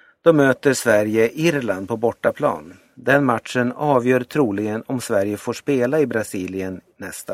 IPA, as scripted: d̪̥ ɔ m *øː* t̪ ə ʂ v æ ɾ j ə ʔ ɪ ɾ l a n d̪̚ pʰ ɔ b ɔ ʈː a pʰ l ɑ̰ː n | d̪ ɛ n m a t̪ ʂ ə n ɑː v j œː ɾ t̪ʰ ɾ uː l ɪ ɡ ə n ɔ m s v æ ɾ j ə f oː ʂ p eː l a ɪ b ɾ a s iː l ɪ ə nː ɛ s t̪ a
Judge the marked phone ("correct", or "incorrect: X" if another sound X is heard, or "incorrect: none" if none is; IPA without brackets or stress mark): correct